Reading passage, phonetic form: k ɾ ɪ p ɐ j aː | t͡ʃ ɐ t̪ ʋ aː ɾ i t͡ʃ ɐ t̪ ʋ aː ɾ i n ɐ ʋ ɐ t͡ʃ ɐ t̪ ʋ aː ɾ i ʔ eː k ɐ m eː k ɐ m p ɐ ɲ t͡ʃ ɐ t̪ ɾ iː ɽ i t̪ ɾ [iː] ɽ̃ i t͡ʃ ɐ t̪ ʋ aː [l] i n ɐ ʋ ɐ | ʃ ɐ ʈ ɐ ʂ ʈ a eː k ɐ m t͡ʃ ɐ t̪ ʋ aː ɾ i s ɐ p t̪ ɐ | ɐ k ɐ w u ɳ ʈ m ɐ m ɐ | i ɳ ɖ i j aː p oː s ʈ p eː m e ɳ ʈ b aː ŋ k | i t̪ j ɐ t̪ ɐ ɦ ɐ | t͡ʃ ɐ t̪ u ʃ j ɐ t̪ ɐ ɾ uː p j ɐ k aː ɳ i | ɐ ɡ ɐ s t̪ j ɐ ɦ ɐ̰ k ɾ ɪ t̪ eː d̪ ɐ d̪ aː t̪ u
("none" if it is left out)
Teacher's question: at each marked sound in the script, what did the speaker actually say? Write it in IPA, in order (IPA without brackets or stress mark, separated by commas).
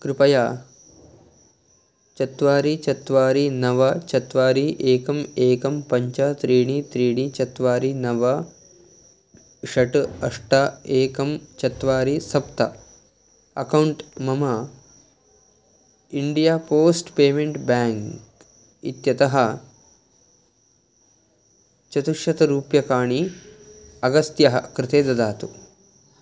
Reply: iː, ɾ